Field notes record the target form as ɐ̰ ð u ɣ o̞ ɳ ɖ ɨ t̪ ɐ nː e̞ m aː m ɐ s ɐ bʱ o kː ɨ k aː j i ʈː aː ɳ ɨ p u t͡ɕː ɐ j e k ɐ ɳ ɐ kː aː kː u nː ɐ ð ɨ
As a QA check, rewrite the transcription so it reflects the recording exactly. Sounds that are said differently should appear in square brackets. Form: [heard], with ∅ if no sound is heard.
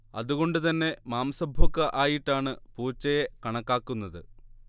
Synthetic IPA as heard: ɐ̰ ð u ɣ o̞ ɳ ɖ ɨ t̪ ɐ nː e̞ m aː m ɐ s ɐ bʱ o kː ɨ [ʔ] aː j i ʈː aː ɳ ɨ p [uː] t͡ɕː ɐ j e k ɐ ɳ ɐ kː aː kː u nː ɐ ð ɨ